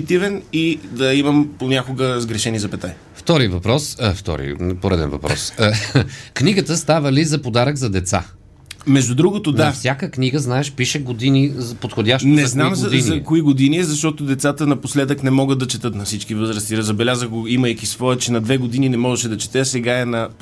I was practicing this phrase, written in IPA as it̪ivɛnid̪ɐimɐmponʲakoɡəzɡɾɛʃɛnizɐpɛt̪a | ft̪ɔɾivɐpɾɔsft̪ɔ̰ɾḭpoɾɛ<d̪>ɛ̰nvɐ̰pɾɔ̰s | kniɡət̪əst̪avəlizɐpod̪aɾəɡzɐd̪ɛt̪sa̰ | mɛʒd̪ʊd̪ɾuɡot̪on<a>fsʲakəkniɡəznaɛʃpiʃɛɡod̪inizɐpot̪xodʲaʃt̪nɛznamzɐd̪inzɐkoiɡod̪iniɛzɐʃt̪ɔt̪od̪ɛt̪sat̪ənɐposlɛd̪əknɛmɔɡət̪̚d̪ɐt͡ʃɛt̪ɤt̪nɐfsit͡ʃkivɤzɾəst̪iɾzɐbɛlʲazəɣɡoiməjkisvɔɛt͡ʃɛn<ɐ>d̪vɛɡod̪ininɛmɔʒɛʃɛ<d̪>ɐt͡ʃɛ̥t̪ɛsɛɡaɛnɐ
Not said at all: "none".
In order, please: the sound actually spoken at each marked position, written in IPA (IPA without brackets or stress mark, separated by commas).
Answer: d̪, a, ɐ, d̪